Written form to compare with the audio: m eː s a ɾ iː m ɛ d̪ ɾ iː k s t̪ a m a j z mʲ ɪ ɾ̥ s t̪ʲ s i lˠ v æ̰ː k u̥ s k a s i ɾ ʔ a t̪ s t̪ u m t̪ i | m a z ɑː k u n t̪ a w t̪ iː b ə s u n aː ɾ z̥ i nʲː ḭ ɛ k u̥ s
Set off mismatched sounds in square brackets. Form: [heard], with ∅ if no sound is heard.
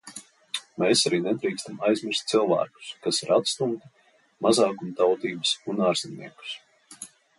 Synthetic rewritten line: m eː s a ɾ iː [n] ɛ d̪ ɾ iː k s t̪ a m a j z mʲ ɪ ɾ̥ s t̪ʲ s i lˠ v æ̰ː k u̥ s k a s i ɾ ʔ a t̪ s t̪ u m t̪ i | m a z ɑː k u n t̪ a w t̪ iː b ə s u n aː ɾ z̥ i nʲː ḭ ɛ k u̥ s